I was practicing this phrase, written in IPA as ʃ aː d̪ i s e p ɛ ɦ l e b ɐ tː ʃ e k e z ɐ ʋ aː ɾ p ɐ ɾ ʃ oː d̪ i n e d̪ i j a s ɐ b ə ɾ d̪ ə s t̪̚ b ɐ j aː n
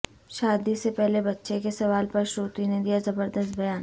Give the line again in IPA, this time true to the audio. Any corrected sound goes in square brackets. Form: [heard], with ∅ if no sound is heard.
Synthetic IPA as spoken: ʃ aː d̪ i s e p ɛ ɦ l e b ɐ tː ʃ e k e [s] ɐ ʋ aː [l] p ɐ ɾ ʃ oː [t̪] i n e d̪ i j a [z] ɐ b ə ɾ d̪ ə s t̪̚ b ɐ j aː n